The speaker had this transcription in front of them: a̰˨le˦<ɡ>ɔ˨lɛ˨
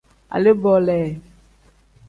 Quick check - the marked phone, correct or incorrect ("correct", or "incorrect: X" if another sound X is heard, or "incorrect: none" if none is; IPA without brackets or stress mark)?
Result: incorrect: b